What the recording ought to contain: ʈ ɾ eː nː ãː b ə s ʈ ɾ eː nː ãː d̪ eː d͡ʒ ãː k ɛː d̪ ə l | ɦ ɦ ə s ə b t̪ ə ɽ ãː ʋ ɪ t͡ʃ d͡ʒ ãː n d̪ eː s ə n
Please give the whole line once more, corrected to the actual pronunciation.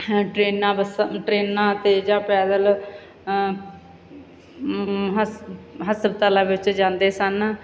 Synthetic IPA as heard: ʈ ɾ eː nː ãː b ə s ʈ ɾ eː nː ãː t̪ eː d͡ʒ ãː p ɛː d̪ ə l | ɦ ɦ ə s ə b t̪ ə l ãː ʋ ɪ t͡ʃ d͡ʒ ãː n d̪ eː s ə n